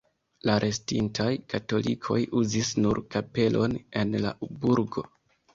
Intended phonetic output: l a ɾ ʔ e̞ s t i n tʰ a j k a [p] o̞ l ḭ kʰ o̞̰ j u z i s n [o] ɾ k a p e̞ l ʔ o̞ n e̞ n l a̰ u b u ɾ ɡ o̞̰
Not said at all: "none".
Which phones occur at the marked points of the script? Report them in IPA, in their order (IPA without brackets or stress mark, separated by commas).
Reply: t, u